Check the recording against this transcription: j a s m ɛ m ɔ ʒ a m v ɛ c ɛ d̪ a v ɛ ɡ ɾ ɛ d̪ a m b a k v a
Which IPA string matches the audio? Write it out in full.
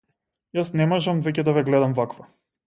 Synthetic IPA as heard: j a s n ɛ m ɔ ʒ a m v ɛ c ɛ d̪ a v ɛ ɡ l ɛ d̪ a m v a k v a

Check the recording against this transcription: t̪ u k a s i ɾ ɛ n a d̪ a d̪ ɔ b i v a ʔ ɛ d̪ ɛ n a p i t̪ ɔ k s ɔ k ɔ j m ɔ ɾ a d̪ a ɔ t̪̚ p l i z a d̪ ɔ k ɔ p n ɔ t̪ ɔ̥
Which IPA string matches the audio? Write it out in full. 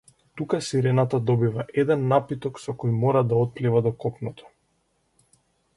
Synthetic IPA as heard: t̪ u k a s i ɾ ɛ n a t̪ a d̪ ɔ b i v a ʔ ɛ d̪ ɛ nː a p i t̪ ɔ k s ɔ k ɔ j m ɔ ɾ a d̪ a ɔ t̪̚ p l i v a d̪ ɔ k ɔ p n ɔ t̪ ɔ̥

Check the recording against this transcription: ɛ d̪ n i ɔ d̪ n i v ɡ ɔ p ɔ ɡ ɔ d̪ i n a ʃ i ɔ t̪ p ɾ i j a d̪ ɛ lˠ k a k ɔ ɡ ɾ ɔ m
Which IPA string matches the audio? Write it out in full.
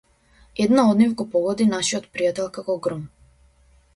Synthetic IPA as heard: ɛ d̪ n a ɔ d̪ n i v ɡ ɔ p ɔ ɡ ɔ d̪ i n a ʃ i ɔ t̪ p ɾ i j a t̪ ɛ lˠ k a k ɔ ɡ ɾ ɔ m

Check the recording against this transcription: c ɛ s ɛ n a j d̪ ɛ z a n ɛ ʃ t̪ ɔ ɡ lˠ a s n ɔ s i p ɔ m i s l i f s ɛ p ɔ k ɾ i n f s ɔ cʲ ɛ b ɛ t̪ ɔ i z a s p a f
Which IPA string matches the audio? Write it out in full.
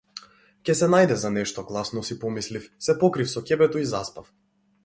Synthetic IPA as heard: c ɛ s ɛ n a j d̪ ɛ z a n ɛ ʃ t̪ ɔ ɡ lˠ a s n ɔ s i p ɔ m i s l i f s ɛ p ɔ k ɾ i f s ɔ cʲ ɛ b ɛ t̪ ɔ i z a s p a f

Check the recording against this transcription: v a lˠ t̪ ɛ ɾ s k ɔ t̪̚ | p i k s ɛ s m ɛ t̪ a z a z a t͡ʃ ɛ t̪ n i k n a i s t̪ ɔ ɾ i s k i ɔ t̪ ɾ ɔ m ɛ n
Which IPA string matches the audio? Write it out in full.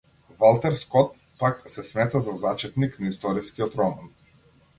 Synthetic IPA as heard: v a lˠ t̪ ɛ ɾ s k ɔ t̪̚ | p a k s ɛ s m ɛ t̪ a z a z a t͡ʃ ɛ t̪ n i k n a i s t̪ ɔ ɾ i s k i ɔ t̪ ɾ ɔ m a n

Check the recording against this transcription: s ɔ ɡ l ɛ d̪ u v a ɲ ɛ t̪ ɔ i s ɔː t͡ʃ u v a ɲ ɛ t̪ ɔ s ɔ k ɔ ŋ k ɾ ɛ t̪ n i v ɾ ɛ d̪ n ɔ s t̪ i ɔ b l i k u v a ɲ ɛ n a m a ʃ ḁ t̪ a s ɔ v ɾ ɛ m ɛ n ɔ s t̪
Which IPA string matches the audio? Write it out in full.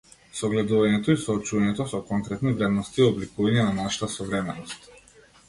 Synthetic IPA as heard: s ɔ ɡ l ɛ d̪ u v a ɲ ɛ t̪ ɔ i s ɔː t͡ʃ u v a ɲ ɛ t̪ ɔ s ɔ k ɔ ŋ k ɾ ɛ t̪ n i v ɾ ɛ d̪ n ɔ s t̪ i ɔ b l i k u v a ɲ ɛ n a n a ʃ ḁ t̪ a s ɔ v ɾ ɛ m ɛ n ɔ s t̪

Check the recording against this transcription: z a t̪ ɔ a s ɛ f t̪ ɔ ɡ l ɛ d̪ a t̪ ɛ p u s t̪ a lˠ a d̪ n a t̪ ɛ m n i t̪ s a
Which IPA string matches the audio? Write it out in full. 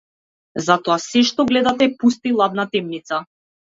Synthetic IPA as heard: z a t̪ ɔ a s ɛ ʃ t̪ ɔ ɡ l ɛ d̪ a t̪ ɛ p u s t̪ i lˠ a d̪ n a t̪ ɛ m n i t̪ s a

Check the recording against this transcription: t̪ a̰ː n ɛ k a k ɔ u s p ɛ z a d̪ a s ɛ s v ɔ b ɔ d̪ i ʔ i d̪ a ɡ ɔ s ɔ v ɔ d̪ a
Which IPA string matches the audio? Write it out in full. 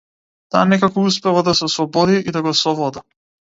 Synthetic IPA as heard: t̪ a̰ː n ɛ k a k ɔ u s p ɛ v a d̪ a s ɛ s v ɔ b ɔ d̪ i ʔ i d̪ a ɡ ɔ s ɔ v ɔ d̪ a

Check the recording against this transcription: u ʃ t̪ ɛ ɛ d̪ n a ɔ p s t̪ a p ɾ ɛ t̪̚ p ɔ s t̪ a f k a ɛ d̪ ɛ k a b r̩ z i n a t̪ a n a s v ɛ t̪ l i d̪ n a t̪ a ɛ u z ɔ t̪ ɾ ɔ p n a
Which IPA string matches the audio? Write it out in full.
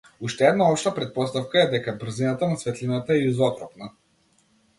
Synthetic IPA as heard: u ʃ t̪ ɛ ɛ d̪ n a ɔ p ʃ t̪ a p ɾ ɛ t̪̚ p ɔ s t̪ a f k a ɛ d̪ ɛ k a b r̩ z i n a t̪ a n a s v ɛ t̪ l i n a t̪ a ɛ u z ɔ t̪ ɾ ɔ p n a

